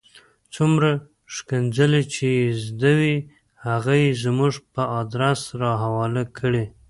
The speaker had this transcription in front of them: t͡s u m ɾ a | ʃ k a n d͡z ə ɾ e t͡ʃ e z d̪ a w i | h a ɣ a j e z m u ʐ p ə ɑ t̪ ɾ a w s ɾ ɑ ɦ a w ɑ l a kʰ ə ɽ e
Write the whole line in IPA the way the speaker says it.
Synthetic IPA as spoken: t͡s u m ɾ a | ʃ k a n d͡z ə l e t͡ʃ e z d̪ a w i | h a ɣ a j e z m u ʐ p ə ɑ d̪ ɾ a s ɾ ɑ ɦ a w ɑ l a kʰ ə ɽ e